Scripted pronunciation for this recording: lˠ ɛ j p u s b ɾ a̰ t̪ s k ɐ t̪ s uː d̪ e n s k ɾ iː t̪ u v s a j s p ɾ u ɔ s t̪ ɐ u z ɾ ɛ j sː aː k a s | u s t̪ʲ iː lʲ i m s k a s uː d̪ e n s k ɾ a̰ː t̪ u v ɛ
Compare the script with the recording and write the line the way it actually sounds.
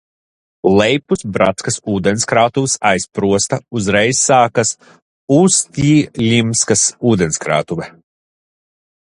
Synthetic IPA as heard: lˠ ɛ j p u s b ɾ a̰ t̪ s k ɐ s uː d̪ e n s k ɾ aː t̪ u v s a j s p ɾ u ɔ s t̪ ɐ u z ɾ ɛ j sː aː k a s | u s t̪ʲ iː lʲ i m s k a s uː d̪ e n s k ɾ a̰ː t̪ u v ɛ